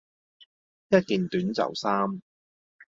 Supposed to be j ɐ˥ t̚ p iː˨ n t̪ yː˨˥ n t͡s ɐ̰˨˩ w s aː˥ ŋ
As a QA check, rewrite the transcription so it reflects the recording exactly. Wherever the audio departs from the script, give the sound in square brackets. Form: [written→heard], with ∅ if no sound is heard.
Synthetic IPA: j ɐ˥ t̚ [p→k] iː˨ n t̪ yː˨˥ n t͡s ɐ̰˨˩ w s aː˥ [ŋ→m]